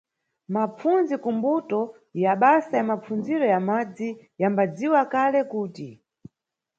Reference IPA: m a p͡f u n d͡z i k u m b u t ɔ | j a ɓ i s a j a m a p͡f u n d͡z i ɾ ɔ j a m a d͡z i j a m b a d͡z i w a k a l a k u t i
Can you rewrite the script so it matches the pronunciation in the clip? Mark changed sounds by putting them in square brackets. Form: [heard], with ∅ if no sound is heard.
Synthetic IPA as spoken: m a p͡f u n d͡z i k u m b u t ɔ | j a ɓ [a] s a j a m a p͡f u n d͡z i ɾ ɔ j a m a d͡z i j a m b a d͡z i w a k a l [ɛ] k [uː] t i